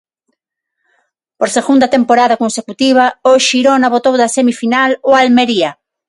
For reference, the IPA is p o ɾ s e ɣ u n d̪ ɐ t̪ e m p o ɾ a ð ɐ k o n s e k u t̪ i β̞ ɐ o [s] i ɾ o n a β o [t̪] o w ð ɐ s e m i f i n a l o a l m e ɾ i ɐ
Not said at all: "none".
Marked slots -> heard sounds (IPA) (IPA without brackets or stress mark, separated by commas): ʃ, t̪